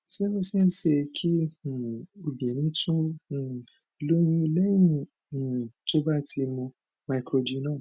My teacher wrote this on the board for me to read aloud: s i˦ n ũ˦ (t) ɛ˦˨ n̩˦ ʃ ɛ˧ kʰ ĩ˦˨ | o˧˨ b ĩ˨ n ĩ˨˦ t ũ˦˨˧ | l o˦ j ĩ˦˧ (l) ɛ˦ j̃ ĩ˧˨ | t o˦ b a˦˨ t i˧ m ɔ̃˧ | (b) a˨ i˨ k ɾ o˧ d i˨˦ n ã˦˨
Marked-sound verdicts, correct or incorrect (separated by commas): incorrect, correct, incorrect